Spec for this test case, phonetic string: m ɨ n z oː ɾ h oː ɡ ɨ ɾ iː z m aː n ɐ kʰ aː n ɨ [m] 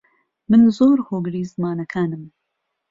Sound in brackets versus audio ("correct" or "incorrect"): correct